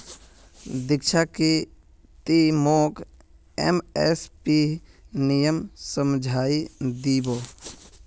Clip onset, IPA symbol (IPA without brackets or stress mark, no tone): d̪